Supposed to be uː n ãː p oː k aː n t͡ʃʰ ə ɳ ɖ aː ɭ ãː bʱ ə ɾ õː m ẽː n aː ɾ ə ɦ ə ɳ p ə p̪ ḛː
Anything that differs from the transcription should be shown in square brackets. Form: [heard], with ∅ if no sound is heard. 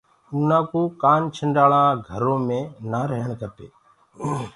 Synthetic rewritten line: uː n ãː [k] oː k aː n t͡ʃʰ ə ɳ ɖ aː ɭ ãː [ɡʱ] ə ɾ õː m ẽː n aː ɾ ə ɦ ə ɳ [k] ə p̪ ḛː